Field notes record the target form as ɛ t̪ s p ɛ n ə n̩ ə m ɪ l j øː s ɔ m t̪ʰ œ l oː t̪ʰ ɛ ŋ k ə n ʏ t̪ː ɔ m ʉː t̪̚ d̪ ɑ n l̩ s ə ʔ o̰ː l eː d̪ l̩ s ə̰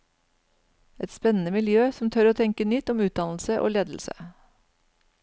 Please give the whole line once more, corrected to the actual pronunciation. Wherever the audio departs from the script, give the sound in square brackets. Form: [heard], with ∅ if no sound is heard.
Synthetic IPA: ɛ t̪ s p ɛ n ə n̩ ə m ɪ l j øː s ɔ m t̪ʰ œ [ɾ] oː t̪ʰ ɛ ŋ k ə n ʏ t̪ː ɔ m ʉː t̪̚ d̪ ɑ n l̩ s ə ʔ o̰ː l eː d̪ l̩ s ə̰